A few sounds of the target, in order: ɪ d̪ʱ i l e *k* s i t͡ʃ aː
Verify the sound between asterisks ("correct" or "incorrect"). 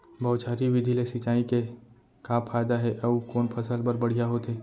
incorrect